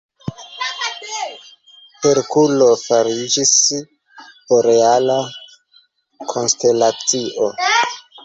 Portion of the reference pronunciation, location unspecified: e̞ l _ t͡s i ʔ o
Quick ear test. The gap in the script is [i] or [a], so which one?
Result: a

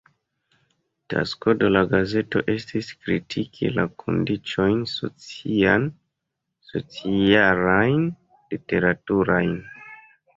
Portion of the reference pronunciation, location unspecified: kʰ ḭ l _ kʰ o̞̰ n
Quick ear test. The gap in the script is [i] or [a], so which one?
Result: a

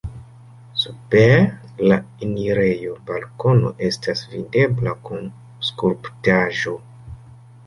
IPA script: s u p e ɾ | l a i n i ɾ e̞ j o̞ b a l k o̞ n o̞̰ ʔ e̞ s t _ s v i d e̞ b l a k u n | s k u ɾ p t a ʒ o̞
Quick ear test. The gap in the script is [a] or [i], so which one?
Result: a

